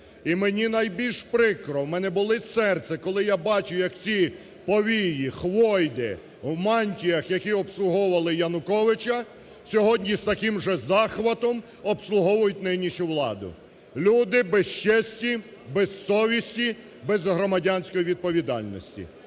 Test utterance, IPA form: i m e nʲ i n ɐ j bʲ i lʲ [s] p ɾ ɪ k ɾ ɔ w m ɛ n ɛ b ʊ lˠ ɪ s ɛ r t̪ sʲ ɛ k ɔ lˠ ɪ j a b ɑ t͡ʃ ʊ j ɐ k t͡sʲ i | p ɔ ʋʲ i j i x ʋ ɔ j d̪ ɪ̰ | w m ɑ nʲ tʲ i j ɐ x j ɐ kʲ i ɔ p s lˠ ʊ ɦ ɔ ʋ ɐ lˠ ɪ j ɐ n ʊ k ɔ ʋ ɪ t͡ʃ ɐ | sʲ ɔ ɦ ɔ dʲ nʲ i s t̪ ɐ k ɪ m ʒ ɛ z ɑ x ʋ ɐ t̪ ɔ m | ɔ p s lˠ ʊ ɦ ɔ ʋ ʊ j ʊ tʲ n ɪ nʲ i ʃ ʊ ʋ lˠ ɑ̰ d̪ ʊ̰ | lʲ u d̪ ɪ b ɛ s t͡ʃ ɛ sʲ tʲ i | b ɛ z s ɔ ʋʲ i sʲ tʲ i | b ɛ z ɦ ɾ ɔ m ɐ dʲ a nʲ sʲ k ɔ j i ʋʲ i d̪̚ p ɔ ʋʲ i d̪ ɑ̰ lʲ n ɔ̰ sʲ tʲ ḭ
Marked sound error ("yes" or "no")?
yes